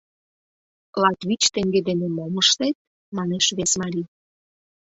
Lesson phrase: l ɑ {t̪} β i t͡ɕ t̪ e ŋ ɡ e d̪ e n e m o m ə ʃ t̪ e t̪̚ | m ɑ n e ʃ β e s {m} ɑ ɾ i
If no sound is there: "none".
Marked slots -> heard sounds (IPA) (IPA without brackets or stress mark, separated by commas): t̪, m